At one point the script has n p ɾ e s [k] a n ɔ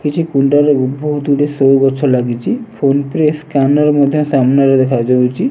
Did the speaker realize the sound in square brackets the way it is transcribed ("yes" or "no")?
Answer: yes